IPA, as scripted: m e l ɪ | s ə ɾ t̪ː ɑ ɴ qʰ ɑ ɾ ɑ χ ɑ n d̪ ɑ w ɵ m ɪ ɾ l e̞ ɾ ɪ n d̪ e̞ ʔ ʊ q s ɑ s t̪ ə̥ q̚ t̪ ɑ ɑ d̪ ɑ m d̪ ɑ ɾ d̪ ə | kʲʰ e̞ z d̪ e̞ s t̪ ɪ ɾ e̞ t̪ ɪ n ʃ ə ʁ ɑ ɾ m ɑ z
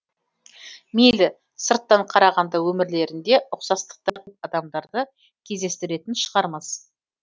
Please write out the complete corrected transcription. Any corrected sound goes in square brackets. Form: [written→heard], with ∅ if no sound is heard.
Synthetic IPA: m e l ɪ | s ə ɾ t̪ː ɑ ɴ qʰ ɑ ɾ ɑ [χ→ʁ] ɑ n d̪ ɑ w ɵ m ɪ ɾ l e̞ ɾ ɪ n d̪ e̞ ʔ ʊ q s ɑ s t̪ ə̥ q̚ t̪ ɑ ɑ d̪ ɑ m d̪ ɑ ɾ d̪ ə | kʲʰ e̞ z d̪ e̞ s t̪ ɪ ɾ e̞ t̪ ɪ n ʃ ə ʁ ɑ ɾ m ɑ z